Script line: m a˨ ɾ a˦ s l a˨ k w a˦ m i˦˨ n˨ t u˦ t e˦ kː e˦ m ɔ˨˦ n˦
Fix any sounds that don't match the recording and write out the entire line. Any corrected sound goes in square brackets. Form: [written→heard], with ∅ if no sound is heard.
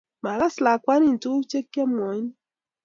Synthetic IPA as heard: m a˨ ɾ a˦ s l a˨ k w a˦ [m→n] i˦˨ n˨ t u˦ [t→t͡ʃ] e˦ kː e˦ m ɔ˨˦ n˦